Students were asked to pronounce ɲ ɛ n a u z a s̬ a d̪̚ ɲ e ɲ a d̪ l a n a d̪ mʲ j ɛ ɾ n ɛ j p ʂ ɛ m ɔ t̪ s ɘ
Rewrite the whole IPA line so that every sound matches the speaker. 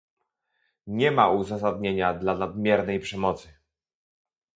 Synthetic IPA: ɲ ɛ m a u z a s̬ a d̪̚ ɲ e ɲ a d̪ l a n a d̪ mʲ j ɛ ɾ n ɛ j p ʂ ɛ m ɔ t̪ s ɘ